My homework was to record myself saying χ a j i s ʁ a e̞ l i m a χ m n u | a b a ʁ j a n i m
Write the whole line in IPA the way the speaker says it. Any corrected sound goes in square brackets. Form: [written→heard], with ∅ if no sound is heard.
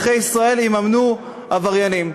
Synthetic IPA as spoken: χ [a→e] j i s ʁ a e̞ l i m a [χ→∅] m n u | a [b→v] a ʁ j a n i m